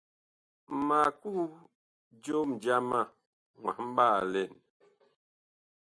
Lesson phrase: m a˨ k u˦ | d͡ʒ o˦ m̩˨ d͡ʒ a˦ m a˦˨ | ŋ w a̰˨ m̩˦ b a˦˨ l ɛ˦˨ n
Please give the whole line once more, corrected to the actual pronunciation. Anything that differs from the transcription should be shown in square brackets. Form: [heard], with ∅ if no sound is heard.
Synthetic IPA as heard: m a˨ k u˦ | d͡ʒ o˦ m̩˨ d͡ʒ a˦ m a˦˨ | ŋ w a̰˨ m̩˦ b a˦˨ l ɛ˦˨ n